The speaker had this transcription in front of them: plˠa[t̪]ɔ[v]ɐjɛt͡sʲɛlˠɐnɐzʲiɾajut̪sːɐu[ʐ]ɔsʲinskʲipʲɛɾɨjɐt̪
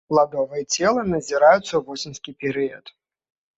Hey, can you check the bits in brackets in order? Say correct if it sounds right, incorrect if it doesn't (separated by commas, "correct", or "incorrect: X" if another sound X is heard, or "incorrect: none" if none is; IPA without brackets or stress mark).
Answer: incorrect: d̪, correct, incorrect: v